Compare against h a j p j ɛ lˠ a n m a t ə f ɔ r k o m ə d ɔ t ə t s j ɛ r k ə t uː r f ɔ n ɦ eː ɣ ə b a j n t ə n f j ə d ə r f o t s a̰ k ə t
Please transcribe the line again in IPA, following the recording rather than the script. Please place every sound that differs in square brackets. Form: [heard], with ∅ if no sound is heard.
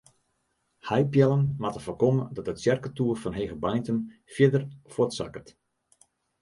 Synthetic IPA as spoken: h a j p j ɛ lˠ [ə] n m a t ə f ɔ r k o m ə d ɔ t ə t s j ɛ r k ə t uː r f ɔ n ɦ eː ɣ ə b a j n t ə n f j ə d ə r f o t s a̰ k ə t